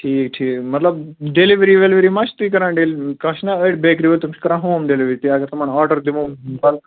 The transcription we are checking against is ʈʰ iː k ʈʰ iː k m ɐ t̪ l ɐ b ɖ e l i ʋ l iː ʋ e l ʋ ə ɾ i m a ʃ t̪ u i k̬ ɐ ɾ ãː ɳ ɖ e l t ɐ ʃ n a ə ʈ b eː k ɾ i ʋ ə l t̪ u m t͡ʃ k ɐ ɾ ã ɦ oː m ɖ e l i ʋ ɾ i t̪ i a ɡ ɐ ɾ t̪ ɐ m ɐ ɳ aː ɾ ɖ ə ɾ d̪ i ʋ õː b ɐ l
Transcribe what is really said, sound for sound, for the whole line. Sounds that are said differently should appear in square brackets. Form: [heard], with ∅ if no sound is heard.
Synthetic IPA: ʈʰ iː k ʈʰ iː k m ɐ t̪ l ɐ b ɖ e l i ʋ [ɾ] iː ʋ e l ʋ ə ɾ i m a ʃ t̪ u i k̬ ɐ ɾ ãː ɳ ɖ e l [k] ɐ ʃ n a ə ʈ b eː k ɾ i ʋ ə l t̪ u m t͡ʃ k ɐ ɾ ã ɦ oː m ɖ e l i ʋ ɾ i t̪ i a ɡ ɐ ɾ t̪ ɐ m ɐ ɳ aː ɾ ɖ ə ɾ d̪ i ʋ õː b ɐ l